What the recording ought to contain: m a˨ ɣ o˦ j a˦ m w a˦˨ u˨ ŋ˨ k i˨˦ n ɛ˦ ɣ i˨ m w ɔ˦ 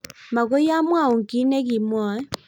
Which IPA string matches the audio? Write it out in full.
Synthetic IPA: m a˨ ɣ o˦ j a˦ m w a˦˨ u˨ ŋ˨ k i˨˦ n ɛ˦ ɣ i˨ m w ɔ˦